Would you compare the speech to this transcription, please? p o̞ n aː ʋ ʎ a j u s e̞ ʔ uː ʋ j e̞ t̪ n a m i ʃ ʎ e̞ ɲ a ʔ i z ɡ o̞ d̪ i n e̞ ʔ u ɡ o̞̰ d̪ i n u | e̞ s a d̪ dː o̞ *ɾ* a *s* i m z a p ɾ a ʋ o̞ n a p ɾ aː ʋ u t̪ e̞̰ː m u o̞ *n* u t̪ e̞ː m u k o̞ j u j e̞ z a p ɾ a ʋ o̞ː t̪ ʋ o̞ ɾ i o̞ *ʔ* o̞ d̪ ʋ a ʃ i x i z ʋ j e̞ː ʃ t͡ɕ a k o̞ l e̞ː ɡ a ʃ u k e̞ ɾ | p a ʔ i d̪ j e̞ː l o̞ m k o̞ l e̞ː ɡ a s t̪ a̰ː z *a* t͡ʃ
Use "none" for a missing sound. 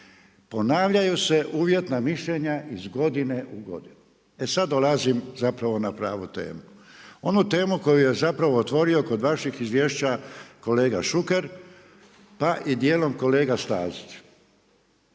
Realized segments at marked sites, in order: l, z, n, k, i

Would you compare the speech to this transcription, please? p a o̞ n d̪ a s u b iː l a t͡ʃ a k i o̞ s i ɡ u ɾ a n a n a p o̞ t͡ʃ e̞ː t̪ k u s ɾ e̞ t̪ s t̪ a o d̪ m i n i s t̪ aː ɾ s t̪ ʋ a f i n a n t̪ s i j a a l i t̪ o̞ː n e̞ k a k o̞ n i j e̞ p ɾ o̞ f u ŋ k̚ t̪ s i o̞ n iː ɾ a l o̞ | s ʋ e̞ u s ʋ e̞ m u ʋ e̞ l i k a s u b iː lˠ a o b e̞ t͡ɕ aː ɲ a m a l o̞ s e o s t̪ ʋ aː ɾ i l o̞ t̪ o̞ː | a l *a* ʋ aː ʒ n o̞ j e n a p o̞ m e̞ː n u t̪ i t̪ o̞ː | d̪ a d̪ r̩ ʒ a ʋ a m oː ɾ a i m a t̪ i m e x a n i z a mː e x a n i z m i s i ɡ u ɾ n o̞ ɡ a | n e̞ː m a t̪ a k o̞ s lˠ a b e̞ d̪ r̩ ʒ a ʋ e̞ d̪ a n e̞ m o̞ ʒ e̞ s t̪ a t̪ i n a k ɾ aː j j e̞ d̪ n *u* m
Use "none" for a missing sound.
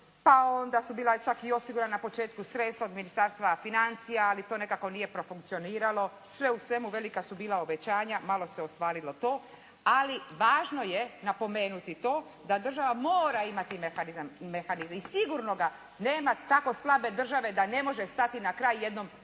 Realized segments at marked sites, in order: i, o

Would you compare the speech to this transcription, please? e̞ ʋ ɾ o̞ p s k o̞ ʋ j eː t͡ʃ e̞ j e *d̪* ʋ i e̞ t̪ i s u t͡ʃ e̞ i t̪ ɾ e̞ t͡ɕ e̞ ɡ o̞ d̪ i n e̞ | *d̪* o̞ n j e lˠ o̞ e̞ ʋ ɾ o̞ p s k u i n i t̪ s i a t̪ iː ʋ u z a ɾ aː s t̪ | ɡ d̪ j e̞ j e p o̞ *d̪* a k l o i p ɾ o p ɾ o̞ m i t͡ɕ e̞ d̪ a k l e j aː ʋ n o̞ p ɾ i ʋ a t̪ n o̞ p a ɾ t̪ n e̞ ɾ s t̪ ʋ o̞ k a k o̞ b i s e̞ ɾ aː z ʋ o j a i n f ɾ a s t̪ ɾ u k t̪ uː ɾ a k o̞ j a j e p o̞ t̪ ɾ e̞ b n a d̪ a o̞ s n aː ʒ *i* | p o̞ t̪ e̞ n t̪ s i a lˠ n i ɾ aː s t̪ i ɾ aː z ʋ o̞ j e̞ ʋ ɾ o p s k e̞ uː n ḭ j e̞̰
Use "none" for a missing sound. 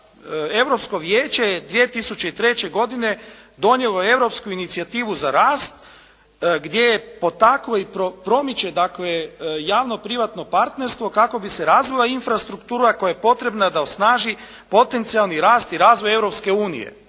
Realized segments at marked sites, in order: d̪, d̪, t̪, i

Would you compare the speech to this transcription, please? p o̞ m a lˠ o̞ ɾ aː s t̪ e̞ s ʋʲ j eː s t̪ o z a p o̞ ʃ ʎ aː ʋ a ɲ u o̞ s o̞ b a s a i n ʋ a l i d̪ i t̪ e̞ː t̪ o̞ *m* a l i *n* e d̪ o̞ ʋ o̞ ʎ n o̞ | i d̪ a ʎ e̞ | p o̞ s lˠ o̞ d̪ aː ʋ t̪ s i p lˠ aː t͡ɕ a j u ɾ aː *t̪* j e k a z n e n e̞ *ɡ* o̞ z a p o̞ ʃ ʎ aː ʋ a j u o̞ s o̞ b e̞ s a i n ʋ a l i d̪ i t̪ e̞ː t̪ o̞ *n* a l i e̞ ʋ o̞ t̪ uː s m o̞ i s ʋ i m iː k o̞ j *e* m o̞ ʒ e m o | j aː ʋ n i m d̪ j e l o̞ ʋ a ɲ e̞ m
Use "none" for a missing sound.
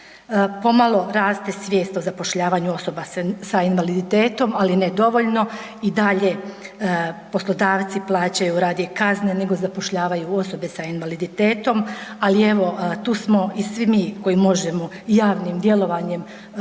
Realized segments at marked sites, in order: m, n, d̪, ɡ, m, i

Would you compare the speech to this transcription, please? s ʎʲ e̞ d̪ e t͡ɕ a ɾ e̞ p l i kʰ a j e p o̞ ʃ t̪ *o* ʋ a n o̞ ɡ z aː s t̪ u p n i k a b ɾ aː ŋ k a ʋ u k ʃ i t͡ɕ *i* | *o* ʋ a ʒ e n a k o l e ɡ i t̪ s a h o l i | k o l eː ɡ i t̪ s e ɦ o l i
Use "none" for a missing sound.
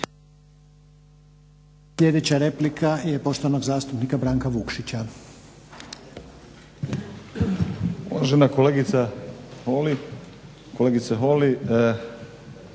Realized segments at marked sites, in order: o, a, u

